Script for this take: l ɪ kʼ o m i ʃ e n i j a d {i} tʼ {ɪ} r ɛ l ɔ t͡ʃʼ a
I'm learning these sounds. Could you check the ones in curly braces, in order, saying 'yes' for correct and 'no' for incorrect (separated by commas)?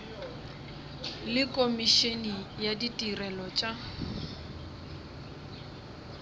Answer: yes, no